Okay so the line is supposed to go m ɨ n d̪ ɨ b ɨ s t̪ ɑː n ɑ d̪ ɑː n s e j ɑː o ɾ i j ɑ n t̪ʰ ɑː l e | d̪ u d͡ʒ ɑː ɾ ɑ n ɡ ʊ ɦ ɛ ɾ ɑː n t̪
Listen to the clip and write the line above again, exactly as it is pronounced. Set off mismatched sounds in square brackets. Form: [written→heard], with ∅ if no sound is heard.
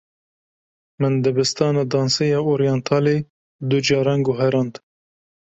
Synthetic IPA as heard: m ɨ n d̪ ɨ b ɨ s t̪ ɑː n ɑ d̪ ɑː n s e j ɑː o ɾ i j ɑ n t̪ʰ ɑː l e | d̪ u d͡ʒ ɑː ɾ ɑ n ɡ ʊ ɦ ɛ ɾ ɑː n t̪